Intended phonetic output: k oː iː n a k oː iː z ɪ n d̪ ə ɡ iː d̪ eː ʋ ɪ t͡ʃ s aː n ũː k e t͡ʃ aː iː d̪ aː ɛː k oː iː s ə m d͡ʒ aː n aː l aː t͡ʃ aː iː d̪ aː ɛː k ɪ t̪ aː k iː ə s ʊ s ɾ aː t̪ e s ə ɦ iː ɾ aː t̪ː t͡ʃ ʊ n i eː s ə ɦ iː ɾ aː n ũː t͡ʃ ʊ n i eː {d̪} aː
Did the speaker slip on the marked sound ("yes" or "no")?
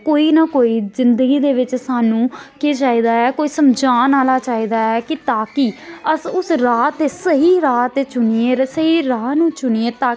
yes